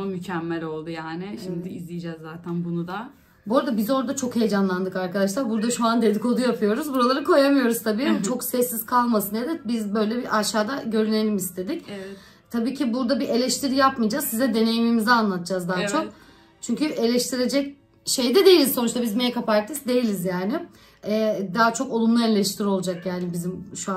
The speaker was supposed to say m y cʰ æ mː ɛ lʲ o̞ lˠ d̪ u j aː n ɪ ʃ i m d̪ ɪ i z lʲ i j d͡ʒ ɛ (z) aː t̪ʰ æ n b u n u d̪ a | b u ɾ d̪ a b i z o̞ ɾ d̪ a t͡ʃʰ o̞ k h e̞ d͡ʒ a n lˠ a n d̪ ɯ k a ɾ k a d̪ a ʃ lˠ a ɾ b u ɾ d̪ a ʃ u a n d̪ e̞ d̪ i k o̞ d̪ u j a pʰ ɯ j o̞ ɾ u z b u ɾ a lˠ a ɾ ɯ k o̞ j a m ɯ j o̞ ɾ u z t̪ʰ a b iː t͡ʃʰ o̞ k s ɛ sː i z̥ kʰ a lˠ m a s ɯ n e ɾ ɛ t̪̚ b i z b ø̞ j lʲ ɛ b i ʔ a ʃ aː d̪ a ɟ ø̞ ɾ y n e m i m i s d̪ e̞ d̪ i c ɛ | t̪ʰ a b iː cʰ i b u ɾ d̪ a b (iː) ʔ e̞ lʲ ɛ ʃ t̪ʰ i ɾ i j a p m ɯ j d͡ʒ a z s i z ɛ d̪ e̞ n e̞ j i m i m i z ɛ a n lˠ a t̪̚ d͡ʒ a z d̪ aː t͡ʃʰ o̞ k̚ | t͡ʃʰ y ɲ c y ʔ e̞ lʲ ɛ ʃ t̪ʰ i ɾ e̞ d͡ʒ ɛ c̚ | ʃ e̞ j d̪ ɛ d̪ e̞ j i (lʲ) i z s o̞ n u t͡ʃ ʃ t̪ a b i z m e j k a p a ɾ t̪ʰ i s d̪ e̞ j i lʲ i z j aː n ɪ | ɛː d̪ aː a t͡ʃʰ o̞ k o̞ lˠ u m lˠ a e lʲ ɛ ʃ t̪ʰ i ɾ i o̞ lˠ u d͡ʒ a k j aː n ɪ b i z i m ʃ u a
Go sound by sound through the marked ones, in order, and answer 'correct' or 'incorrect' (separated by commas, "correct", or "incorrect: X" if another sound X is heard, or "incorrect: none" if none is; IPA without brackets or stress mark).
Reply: incorrect: zː, incorrect: i, correct